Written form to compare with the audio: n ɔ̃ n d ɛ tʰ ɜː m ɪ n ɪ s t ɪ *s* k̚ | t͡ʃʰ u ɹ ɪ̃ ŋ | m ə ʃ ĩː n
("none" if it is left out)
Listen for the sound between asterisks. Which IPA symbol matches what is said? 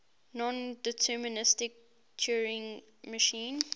none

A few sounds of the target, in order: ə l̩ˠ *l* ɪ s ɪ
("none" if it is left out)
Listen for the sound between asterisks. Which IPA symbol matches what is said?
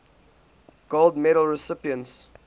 ɹ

